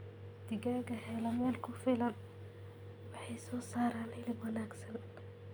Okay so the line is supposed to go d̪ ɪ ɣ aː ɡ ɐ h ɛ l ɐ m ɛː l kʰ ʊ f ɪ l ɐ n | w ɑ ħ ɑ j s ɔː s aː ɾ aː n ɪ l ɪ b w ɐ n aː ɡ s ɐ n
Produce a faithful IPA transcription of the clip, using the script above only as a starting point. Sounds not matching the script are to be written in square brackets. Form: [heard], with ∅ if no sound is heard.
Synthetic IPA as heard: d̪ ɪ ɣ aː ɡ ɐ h ɛ l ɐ m ɛː l kʰ ʊ f ɪ l ɐ n | w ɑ ħ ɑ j s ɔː s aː ɾ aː n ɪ l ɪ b w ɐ n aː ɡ s ɐ n

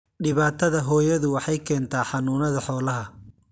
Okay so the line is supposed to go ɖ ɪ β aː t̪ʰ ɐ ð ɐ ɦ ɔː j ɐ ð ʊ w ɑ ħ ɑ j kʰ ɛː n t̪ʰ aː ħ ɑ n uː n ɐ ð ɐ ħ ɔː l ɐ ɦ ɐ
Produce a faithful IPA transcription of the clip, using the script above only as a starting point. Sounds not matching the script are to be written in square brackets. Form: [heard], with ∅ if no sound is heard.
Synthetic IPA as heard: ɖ ɪ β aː t̪ʰ ɐ ð ɐ ɦ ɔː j ɐ ð ʊ w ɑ ħ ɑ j kʰ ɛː n t̪ʰ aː ħ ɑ n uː n ɐ ð ɐ ħ ɔː l ɐ ɦ ɐ

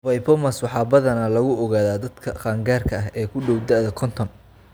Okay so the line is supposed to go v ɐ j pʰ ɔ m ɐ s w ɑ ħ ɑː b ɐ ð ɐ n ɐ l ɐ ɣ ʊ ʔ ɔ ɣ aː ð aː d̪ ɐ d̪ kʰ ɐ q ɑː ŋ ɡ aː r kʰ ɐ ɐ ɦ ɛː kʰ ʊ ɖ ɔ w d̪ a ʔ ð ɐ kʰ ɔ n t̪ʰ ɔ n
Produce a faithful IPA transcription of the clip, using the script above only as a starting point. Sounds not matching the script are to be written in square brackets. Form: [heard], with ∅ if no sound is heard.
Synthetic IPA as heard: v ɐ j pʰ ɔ m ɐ s w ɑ ħ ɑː b ɐ ð ɐ n ɐ l ɐ ɣ ʊ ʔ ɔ ɣ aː ð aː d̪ ɐ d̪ kʰ ɐ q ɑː ŋ ɡ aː r kʰ ɐ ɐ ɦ ɛː kʰ ʊ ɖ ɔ w d̪ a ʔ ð ɐ kʰ ɔ n t̪ʰ ɔ n

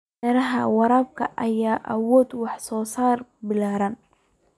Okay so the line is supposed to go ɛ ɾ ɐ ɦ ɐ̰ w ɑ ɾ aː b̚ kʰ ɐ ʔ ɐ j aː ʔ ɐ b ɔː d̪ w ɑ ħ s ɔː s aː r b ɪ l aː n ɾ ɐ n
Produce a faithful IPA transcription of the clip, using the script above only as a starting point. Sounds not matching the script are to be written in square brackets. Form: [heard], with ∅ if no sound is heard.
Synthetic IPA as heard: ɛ ɾ ɐ ɦ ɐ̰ w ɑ ɾ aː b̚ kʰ ɐ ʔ ɐ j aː ʔ ɐ [w] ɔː d̪ w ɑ ħ s ɔː s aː r b ɪ l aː [∅] ɾ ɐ n

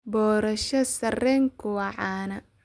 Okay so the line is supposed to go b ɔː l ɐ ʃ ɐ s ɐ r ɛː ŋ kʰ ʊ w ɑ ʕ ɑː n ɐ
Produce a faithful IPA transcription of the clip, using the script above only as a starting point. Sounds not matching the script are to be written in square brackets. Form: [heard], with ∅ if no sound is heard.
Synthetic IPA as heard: b ɔː [ɾ] ɐ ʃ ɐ s ɐ r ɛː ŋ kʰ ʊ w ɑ ʕ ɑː n ɐ

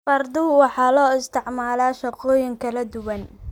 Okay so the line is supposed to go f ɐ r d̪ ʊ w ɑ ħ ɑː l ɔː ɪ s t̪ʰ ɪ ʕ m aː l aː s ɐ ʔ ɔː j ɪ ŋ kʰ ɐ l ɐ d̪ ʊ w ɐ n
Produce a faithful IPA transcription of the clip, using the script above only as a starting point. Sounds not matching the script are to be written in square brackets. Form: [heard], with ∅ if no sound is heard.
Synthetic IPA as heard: f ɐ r d̪ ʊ w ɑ ħ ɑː l ɔː ɪ s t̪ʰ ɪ ʕ m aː l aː [ʃ] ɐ [q] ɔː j ɪ ŋ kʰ ɐ l ɐ d̪ ʊ w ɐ n

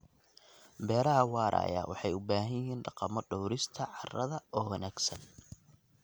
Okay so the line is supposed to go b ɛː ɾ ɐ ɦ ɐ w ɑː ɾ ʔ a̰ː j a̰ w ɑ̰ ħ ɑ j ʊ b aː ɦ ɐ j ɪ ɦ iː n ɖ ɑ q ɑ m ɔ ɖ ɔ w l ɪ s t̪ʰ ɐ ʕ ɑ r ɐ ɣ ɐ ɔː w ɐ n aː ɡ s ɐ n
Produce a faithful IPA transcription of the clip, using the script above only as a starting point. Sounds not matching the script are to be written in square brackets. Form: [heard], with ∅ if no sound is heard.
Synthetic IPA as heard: b ɛː ɾ ɐ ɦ ɐ w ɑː ɾ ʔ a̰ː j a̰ w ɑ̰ ħ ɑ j ʊ b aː ɦ ɐ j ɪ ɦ iː n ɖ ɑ q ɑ m ɔ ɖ ɔ w [ɾ] ɪ s t̪ʰ ɐ ʕ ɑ r ɐ [ð] ɐ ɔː w ɐ n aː ɡ s ɐ n

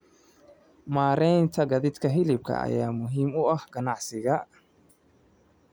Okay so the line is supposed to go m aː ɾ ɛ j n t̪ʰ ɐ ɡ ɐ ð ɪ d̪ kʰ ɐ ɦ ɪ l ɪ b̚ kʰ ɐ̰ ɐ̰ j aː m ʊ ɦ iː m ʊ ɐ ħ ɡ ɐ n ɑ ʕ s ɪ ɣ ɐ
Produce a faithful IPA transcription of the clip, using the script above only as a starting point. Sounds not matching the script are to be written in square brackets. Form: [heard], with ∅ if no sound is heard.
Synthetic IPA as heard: m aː ɾ ɛ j n t̪ʰ ɐ ɡ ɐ ð ɪ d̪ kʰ ɐ ɦ ɪ l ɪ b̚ kʰ ɐ̰ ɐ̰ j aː m ʊ ɦ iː m ʊ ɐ [h] ɡ ɐ n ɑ ʕ s ɪ ɣ ɐ

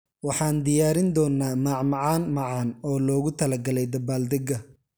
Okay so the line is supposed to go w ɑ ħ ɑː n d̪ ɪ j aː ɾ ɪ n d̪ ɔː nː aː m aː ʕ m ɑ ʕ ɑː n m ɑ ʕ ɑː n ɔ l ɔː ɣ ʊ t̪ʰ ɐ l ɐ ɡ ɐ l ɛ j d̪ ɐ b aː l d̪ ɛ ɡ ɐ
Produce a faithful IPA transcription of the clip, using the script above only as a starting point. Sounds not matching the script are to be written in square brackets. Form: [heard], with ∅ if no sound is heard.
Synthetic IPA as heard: w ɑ ħ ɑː n d̪ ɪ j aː ɾ ɪ n d̪ ɔː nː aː m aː ʕ m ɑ ʕ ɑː n m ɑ ʕ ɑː n [ɔː] l ɔː ɣ ʊ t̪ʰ ɐ l ɐ ɡ ɐ l ɛ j d̪ ɐ b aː l d̪ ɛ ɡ ɐ

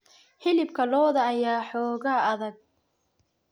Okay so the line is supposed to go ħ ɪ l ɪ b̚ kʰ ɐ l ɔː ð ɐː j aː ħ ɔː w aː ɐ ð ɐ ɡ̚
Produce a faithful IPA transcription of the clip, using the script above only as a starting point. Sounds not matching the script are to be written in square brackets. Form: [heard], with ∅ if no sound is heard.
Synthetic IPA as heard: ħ ɪ l ɪ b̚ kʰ ɐ l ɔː ð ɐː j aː ħ ɔː [ɣ] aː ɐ ð ɐ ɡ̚

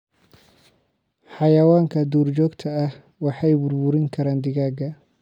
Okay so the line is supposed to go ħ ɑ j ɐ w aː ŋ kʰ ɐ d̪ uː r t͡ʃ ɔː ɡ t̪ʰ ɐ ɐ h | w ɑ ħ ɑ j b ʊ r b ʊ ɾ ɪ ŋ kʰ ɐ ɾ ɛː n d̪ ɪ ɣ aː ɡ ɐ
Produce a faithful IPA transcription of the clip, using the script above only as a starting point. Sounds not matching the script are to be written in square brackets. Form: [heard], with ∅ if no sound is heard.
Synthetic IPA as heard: ħ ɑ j ɐ w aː ŋ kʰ ɐ d̪ uː r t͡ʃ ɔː ɡ t̪ʰ ɐ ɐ h | w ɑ ħ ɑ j b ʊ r b ʊ ɾ ɪ ŋ kʰ ɐ ɾ [aː] n d̪ ɪ ɣ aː ɡ ɐ

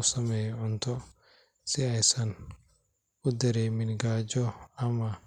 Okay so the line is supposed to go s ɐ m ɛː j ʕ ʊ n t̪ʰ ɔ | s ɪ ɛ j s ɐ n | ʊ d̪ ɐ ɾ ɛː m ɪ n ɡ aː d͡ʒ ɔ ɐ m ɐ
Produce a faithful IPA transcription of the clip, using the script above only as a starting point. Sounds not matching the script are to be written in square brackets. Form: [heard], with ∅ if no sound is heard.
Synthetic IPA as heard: s ɐ m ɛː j ʕ ʊ n t̪ʰ ɔ | s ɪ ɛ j s ɐ n | ʊ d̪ ɐ ɾ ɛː m ɪ n ɡ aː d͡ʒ ɔ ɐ m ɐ

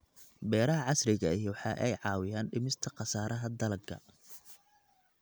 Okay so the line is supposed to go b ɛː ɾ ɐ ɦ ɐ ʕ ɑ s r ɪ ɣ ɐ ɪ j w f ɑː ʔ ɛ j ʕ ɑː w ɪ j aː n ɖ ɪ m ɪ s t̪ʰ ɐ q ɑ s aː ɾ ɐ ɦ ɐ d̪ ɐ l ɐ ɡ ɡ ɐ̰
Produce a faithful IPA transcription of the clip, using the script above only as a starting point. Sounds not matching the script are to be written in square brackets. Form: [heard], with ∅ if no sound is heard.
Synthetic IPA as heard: b ɛː ɾ ɐ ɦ ɐ ʕ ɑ s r ɪ ɣ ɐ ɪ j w [ħ] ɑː ʔ ɛ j ʕ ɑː w ɪ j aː n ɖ ɪ m ɪ s t̪ʰ ɐ q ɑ s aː ɾ ɐ ɦ ɐ d̪ ɐ l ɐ ɡ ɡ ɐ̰

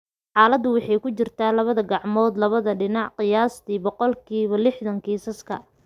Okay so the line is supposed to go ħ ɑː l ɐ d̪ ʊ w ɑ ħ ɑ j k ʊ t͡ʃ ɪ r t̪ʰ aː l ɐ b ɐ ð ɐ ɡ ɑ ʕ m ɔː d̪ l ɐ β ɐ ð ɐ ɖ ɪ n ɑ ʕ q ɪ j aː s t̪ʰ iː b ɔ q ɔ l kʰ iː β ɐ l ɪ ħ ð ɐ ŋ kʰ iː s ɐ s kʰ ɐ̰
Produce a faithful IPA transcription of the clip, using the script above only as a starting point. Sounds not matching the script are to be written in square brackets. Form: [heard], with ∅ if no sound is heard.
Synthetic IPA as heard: ħ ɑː l ɐ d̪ ʊ w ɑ ħ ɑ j k ʊ t͡ʃ ɪ r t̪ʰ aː l ɐ [β] ɐ ð ɐ ɡ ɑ ʕ m ɔː d̪ l ɐ β ɐ ð ɐ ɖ ɪ n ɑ ʕ q ɪ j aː s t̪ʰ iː b ɔ q ɔ l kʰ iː β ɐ l ɪ ħ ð ɐ ŋ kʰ iː s ɐ s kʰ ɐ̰

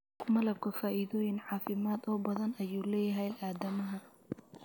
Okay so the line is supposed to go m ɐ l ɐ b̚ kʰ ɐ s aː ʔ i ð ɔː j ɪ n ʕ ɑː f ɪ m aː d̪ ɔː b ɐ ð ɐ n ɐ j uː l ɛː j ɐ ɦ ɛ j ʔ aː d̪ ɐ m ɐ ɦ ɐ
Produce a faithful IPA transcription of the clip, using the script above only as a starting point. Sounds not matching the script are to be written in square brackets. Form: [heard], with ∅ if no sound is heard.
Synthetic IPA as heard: m ɐ l ɐ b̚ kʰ ɐ [f] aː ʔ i ð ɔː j ɪ n ʕ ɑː f ɪ m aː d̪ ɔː b ɐ ð ɐ n ɐ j uː l ɛː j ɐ ɦ ɛ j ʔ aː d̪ ɐ m ɐ ɦ ɐ

